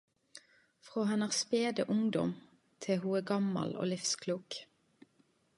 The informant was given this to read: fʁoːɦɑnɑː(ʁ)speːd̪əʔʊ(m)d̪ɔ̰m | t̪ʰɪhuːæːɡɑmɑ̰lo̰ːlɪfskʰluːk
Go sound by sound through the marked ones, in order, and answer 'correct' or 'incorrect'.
correct, incorrect

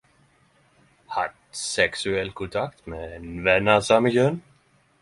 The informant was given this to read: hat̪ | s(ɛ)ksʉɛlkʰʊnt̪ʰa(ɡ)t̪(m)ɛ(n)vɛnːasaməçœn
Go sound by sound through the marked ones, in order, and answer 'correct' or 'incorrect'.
correct, incorrect, correct, correct

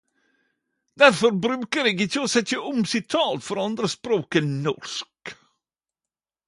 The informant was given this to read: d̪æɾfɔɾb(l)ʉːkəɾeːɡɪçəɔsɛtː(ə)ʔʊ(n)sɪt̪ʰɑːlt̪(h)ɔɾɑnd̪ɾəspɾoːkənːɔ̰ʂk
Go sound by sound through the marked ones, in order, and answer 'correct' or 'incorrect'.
incorrect, correct, incorrect, incorrect

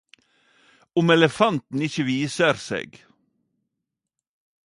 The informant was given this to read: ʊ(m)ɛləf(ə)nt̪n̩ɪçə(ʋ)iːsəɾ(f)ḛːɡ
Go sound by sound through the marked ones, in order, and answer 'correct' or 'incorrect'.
correct, incorrect, correct, incorrect

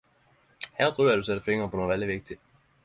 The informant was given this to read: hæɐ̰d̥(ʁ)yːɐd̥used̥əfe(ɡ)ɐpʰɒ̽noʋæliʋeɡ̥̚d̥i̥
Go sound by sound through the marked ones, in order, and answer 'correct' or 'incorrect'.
correct, incorrect

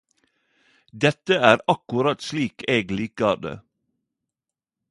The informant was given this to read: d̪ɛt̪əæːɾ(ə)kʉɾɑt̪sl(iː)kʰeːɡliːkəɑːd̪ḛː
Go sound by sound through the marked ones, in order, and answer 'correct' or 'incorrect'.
incorrect, correct

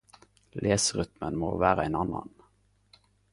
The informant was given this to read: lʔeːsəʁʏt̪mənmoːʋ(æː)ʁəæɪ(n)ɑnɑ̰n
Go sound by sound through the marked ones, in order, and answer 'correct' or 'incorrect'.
correct, correct

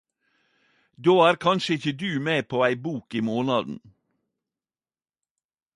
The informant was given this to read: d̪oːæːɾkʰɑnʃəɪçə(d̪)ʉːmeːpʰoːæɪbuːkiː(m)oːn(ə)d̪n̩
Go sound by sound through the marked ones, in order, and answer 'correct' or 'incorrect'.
correct, correct, incorrect

